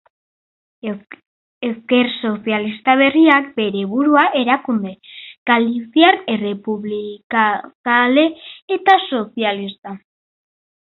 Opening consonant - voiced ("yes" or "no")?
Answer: no